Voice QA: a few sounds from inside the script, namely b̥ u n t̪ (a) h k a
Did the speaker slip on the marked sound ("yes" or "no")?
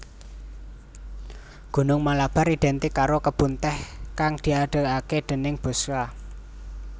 yes